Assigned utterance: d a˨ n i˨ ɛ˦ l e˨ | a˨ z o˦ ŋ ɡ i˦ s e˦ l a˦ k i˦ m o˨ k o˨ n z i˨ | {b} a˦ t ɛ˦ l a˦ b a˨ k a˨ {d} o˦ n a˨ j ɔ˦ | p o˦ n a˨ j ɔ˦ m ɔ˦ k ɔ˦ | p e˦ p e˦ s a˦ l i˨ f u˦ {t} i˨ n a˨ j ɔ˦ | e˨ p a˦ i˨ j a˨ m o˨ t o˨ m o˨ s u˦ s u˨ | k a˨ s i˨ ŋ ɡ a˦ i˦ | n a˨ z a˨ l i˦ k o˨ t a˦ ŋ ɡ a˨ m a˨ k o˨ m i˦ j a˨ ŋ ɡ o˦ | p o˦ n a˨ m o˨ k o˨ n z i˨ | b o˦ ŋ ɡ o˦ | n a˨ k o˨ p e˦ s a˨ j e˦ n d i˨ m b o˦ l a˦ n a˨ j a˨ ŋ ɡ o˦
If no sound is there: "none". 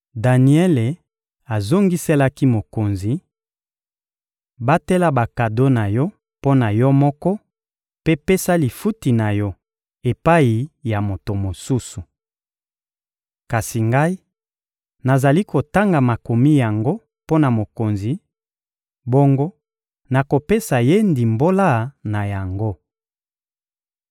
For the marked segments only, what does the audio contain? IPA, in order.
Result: b, d, t

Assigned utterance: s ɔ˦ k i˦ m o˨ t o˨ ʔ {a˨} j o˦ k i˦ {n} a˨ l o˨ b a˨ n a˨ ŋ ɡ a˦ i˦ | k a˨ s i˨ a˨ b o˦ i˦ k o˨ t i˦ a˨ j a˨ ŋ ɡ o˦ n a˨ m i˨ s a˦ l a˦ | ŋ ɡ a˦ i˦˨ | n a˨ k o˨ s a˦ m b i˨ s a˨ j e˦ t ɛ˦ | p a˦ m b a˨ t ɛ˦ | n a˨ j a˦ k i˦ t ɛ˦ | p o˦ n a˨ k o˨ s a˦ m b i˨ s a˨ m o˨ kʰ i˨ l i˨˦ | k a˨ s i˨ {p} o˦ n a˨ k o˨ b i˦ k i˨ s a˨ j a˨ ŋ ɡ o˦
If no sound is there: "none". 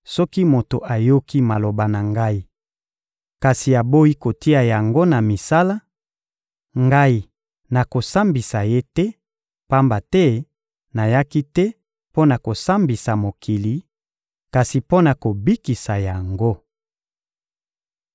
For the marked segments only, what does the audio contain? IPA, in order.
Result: a˨, m, p

